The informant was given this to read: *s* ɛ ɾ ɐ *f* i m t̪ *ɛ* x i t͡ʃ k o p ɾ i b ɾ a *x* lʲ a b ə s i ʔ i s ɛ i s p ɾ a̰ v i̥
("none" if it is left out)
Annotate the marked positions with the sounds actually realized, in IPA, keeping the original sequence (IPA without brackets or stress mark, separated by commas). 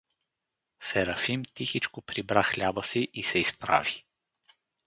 s, f, i, x